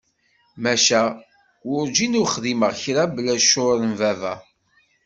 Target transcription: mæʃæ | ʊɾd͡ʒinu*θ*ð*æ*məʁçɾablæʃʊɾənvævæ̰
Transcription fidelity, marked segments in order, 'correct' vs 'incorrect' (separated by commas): incorrect, incorrect